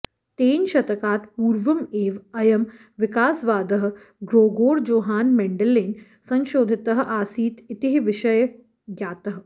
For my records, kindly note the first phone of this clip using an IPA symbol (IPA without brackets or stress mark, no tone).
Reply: t̪